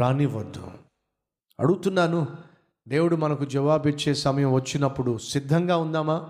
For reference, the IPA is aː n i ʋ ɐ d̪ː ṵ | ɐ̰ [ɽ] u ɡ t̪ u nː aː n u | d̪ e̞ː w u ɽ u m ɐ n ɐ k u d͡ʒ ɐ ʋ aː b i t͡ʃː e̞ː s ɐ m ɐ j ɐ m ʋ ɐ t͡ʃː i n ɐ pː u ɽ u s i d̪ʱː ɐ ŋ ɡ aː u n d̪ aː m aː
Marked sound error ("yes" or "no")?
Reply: no